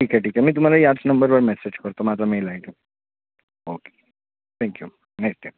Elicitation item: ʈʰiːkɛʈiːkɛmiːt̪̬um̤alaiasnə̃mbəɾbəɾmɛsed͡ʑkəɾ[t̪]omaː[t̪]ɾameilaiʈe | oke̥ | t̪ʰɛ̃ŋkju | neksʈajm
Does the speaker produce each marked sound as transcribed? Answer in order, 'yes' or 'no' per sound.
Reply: yes, yes

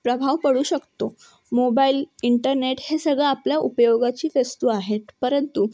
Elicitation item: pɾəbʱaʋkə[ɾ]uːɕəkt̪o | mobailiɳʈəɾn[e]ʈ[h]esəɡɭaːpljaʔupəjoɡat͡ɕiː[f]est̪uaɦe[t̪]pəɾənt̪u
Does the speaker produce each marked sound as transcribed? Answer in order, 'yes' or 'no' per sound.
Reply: no, yes, yes, yes, yes

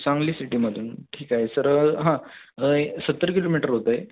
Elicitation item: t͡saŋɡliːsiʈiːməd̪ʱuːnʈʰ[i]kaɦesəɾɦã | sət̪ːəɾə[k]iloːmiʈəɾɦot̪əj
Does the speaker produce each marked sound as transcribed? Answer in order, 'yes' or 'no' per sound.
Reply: no, yes

